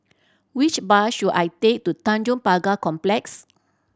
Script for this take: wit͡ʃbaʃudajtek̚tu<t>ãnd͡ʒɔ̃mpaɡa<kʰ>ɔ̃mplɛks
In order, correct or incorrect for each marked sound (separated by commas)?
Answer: correct, incorrect